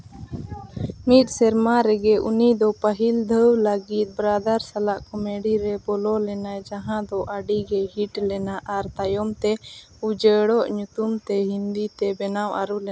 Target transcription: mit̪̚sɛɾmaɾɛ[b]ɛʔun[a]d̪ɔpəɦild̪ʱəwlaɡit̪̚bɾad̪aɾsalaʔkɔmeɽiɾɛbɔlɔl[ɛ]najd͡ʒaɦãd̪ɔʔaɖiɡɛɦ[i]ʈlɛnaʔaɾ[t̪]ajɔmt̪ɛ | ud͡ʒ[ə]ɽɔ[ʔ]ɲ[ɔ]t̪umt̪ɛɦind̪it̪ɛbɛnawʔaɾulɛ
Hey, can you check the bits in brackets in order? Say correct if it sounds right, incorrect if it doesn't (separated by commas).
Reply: incorrect, incorrect, correct, correct, correct, correct, correct, incorrect